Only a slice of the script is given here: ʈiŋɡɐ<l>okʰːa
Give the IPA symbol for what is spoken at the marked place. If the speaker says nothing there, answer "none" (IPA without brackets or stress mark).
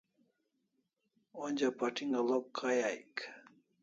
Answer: l